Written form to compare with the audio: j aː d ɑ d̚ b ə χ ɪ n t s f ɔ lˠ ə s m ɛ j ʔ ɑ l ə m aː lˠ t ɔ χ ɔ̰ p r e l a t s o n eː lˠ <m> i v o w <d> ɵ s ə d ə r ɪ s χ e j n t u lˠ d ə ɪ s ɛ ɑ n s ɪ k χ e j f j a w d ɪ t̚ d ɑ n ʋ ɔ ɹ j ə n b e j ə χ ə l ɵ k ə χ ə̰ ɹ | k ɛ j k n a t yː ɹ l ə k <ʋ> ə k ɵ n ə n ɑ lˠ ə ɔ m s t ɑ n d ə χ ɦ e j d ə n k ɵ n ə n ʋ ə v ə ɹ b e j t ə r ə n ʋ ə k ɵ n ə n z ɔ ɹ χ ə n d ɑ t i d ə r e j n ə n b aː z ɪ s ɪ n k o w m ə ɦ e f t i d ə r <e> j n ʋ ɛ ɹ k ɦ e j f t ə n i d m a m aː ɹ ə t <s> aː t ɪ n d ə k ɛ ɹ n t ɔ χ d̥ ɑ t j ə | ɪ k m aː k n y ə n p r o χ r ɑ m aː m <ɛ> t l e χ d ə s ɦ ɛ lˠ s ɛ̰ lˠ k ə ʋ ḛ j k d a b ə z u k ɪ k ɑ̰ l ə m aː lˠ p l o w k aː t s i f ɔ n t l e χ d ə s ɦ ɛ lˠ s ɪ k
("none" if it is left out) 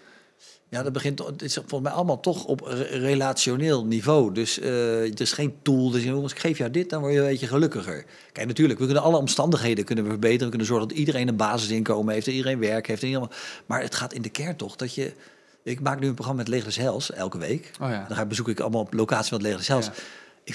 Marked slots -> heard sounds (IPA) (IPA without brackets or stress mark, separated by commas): n, d, ʋ, e, χ, ɛ